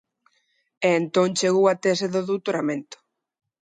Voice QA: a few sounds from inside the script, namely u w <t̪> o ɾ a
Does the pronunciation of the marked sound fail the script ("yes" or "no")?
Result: no